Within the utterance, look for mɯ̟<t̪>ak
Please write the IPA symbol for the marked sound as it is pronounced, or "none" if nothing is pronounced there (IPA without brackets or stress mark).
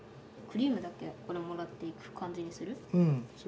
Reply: d̪